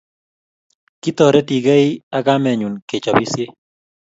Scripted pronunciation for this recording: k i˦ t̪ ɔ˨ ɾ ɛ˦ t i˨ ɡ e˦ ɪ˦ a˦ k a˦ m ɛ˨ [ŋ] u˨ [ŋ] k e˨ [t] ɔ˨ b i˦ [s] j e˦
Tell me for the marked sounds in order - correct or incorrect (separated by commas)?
incorrect, incorrect, incorrect, correct